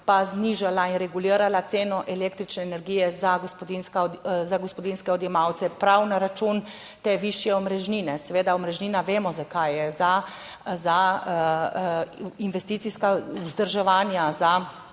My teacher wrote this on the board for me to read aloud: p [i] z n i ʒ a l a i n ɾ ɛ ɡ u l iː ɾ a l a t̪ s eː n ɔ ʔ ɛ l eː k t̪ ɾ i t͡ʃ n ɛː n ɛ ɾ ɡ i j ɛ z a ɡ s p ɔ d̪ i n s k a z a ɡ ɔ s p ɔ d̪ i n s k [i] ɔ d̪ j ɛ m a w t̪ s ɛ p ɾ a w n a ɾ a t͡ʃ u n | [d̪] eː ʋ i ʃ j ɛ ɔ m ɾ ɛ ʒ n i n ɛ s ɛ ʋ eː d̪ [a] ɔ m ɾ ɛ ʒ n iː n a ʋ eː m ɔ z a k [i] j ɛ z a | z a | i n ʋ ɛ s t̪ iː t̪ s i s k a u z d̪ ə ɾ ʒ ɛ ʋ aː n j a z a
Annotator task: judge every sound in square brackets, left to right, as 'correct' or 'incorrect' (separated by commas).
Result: incorrect, incorrect, incorrect, correct, incorrect